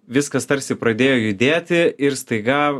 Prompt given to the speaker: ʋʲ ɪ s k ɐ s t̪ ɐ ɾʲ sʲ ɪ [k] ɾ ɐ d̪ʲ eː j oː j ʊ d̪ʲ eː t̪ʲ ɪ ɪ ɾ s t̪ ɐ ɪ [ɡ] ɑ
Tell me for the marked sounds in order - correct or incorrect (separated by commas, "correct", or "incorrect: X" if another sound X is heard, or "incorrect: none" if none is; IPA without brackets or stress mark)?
incorrect: p, correct